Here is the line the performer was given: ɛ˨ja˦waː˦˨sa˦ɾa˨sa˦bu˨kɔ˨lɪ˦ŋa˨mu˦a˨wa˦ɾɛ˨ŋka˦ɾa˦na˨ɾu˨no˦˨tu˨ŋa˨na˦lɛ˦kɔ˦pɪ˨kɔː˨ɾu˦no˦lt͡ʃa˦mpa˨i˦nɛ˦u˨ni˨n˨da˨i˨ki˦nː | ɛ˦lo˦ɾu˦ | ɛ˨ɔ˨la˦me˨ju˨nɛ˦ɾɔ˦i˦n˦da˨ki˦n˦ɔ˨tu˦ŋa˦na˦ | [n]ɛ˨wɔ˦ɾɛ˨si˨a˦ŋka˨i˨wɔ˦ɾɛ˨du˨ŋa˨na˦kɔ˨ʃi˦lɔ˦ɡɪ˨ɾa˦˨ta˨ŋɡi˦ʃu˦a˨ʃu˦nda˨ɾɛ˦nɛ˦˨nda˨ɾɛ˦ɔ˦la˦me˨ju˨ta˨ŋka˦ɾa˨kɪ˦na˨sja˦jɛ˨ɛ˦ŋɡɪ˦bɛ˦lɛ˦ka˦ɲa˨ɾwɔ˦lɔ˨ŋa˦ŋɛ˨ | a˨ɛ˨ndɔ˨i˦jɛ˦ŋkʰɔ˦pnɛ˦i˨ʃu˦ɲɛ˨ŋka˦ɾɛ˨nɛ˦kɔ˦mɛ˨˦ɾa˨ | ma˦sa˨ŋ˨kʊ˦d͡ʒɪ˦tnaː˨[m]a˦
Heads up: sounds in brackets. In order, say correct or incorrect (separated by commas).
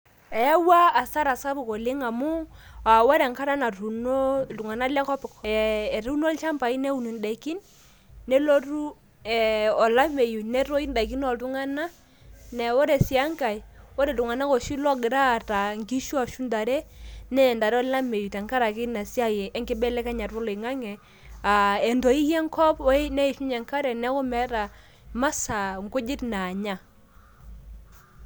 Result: correct, incorrect